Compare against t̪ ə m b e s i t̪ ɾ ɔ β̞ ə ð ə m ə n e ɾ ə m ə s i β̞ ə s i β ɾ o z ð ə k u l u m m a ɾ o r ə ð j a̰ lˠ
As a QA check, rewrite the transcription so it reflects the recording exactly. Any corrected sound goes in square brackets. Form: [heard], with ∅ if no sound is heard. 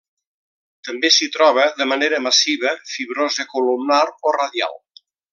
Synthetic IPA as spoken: t̪ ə m b e s i t̪ ɾ ɔ β̞ ə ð ə m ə n e ɾ ə m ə s i β̞ ə [f] i β ɾ o z ð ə k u l u m [n] a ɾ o r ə ð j a̰ lˠ